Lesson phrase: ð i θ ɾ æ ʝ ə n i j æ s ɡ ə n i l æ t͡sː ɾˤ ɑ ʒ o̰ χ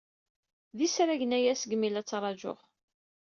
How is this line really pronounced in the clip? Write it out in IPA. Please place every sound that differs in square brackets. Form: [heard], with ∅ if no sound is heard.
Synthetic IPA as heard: ð i [s] ɾ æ ʝ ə n [æ] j æ s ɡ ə [m] i l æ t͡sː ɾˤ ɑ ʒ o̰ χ